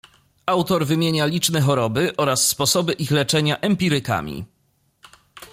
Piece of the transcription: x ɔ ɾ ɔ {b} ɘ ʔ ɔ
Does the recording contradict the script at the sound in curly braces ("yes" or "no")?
no